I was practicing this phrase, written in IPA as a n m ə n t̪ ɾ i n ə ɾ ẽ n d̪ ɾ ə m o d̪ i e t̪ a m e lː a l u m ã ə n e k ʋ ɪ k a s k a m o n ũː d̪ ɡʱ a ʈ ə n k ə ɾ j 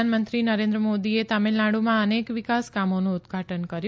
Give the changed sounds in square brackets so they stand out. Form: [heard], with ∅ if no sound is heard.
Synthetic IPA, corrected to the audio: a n m ə n t̪ ɾ i n ə ɾ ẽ n d̪ ɾ ə m o d̪ i e t̪ a m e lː a [ɽ] u m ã ə n e k ʋ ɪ k a s k a m o n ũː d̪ ɡʱ a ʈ ə n k ə ɾ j